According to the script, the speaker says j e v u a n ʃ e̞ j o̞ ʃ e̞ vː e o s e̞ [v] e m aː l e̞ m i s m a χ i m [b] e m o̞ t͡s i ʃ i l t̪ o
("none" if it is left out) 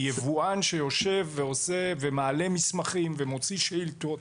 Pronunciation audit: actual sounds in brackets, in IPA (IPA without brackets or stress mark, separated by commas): v, v